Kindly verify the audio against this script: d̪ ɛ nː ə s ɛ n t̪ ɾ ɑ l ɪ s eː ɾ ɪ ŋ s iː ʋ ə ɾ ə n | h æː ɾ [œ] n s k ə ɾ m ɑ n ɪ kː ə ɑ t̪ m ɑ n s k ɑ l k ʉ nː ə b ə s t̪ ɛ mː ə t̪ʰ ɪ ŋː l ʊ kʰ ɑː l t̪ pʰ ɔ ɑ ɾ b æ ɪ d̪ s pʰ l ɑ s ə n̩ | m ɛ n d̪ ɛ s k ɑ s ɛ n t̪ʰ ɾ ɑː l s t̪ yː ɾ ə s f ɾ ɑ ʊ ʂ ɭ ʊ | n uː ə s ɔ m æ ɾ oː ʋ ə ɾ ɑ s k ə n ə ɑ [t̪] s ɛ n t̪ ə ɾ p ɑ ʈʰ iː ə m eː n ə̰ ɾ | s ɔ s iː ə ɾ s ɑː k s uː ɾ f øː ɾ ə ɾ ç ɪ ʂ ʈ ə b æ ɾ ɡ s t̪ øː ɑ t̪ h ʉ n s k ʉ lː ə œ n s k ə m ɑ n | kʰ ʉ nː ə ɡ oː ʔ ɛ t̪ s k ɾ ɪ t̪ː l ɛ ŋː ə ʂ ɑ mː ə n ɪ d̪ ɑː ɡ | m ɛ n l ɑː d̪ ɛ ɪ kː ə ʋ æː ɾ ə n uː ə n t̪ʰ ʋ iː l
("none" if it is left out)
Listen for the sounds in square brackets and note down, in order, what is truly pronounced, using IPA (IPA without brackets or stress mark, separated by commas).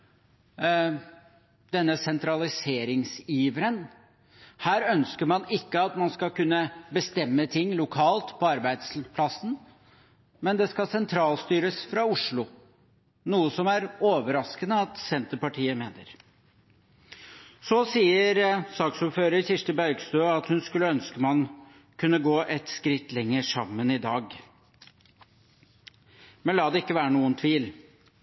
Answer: œ, t̪